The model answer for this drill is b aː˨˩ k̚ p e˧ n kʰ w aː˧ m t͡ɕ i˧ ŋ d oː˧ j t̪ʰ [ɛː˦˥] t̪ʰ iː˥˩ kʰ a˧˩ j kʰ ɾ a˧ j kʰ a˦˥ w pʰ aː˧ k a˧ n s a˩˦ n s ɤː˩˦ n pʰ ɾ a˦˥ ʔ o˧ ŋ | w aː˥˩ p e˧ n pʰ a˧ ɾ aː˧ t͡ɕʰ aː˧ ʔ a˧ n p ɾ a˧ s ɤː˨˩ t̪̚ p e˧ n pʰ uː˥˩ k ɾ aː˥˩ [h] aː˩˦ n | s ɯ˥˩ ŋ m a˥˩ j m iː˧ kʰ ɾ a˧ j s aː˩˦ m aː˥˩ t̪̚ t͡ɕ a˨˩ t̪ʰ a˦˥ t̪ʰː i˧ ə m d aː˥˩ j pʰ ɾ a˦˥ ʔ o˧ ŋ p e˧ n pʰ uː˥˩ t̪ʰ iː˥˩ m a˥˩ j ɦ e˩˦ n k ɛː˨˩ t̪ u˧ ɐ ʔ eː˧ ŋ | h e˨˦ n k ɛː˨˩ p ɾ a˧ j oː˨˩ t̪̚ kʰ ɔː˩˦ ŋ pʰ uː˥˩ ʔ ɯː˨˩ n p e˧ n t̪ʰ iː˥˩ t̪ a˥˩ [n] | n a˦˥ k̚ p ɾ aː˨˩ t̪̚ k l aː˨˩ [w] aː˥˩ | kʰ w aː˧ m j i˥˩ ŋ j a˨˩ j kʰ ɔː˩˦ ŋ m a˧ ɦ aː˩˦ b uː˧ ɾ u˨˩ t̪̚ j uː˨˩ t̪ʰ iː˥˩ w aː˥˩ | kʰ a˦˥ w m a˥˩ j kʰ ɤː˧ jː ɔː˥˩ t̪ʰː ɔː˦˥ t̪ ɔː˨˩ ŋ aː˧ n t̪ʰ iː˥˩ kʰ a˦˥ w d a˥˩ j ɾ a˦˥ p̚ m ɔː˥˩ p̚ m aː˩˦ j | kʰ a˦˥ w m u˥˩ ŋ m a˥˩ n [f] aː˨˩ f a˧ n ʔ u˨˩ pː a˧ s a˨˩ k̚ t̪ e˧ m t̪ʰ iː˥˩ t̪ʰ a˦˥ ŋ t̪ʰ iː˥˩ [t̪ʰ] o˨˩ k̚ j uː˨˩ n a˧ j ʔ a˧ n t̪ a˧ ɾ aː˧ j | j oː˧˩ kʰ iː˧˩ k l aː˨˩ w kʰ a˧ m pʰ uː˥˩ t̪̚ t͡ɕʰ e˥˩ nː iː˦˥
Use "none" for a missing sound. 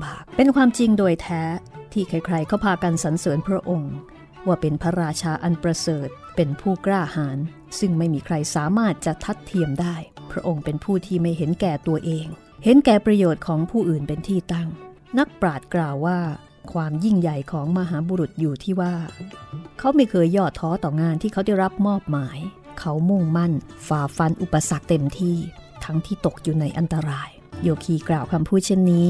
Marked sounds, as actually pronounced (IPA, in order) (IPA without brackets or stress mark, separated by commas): ɛː˦˥, h, ŋ, wː, f, t̪